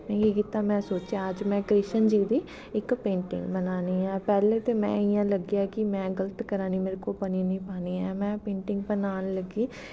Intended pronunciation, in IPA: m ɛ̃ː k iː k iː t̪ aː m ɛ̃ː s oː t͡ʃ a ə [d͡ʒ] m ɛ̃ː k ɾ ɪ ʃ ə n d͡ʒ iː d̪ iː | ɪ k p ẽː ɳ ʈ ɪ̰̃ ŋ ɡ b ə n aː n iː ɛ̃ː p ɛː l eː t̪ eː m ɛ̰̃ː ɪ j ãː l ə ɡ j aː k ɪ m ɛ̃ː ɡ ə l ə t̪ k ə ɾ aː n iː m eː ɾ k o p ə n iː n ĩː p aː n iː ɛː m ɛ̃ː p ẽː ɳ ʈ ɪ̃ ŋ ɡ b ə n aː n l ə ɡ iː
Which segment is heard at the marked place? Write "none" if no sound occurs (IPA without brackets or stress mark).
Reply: d͡ʒ